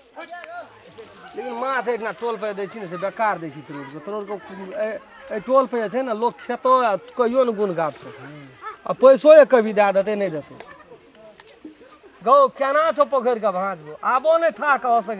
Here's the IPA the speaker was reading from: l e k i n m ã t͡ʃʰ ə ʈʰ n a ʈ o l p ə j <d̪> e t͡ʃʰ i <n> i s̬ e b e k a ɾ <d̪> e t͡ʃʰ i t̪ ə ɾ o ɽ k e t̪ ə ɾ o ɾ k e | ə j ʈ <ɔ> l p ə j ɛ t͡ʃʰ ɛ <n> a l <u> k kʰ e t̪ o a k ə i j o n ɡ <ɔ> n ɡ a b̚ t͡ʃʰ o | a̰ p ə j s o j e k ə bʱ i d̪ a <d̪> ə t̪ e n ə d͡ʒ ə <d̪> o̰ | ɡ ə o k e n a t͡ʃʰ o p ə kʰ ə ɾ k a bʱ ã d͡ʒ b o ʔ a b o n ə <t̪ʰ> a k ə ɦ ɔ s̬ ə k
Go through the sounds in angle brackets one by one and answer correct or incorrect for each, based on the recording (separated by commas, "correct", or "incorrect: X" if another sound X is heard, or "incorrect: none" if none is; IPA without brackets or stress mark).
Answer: correct, correct, correct, incorrect: o, correct, incorrect: o, incorrect: u, correct, incorrect: t̪, correct